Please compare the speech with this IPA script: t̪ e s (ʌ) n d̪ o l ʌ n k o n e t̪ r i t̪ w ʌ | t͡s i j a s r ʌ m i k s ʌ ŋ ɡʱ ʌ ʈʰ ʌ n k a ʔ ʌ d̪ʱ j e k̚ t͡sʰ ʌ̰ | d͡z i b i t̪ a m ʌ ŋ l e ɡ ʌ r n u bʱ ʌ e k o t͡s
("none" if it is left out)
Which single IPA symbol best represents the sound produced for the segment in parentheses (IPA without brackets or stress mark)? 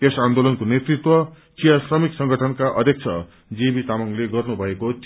a